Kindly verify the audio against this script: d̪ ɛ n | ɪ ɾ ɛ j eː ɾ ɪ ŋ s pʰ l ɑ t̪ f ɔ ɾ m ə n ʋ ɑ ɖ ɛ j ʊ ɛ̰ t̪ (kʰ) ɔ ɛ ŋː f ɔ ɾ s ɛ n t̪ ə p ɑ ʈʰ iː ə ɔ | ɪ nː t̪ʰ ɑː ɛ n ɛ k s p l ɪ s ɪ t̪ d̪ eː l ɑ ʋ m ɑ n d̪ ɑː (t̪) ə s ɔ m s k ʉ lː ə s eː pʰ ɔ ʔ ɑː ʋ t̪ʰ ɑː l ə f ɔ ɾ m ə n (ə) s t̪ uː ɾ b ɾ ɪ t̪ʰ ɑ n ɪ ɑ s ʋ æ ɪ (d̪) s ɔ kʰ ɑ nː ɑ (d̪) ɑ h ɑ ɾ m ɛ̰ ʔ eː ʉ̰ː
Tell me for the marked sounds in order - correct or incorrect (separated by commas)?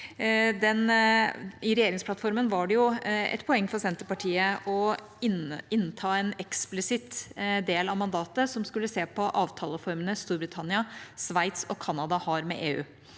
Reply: incorrect, correct, correct, incorrect, correct